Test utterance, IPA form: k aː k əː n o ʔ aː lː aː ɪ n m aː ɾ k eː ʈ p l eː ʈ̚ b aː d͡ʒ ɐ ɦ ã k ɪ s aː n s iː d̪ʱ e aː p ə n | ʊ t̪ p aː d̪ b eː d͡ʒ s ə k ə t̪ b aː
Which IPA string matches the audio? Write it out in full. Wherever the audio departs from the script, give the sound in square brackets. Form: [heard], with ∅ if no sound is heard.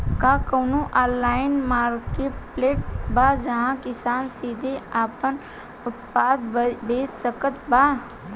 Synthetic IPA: k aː k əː n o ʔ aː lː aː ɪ n m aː ɾ k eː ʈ p l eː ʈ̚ b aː d͡ʒ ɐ ɦ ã k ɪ s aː n s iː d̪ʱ e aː p ə n | ʊ t̪ p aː d̪ b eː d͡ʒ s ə k ə t̪ b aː